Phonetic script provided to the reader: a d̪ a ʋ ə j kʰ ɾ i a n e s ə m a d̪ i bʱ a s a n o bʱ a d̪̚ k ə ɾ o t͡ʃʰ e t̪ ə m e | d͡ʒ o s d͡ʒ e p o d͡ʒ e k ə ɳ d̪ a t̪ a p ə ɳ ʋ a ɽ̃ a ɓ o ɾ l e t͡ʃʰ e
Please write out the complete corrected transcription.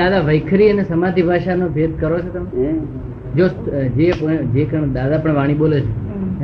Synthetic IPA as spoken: a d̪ a ʋ ə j kʰ ɾ i ə n e s ə m a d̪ i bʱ a ʃ a n o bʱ e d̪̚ k ə ɾ o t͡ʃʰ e t̪ ə m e | d͡ʒ o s d͡ʒ e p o d͡ʒ e k ə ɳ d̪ a d̪ a p ə ɳ ʋ a ɽ̃ i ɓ o l e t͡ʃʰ e